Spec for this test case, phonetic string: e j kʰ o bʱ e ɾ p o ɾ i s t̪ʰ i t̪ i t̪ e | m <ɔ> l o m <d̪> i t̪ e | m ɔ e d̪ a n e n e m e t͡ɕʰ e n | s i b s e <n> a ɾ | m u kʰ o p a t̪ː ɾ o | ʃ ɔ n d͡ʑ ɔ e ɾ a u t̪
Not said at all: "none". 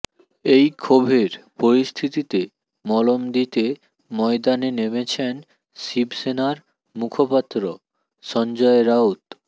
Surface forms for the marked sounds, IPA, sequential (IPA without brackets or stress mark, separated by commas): ɔ, d̪, n